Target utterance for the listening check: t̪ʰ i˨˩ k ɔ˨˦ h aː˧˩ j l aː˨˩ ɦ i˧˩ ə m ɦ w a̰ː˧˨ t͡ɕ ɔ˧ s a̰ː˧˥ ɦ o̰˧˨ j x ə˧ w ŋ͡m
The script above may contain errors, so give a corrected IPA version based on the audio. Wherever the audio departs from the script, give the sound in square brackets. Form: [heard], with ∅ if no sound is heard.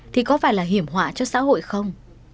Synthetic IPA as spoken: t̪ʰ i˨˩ k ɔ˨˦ [f] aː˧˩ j l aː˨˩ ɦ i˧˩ ə m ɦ w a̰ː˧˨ t͡ɕ ɔ˧ s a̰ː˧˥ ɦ o̰˧˨ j x ə˧ w ŋ͡m